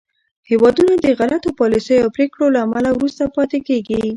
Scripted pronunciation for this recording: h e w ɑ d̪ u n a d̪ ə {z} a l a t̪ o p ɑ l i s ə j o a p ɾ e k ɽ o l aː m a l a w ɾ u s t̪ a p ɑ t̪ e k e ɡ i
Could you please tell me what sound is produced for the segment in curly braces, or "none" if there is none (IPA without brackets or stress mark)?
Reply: ɣ